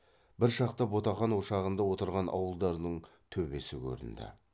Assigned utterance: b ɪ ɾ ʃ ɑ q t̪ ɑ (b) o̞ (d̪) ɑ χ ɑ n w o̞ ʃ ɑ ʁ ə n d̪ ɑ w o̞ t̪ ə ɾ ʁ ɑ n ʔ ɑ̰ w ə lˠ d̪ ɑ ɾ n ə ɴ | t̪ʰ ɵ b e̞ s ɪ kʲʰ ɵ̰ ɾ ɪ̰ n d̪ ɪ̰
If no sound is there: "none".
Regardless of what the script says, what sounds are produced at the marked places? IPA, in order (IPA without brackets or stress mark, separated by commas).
b, t̪